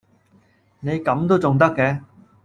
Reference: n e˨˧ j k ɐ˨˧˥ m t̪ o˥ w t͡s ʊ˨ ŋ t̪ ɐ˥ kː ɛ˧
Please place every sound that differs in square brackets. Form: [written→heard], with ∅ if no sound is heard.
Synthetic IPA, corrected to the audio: n e˨˧ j k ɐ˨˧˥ m t̪ o˥ w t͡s ʊ˨ ŋ t̪ ɐ˥ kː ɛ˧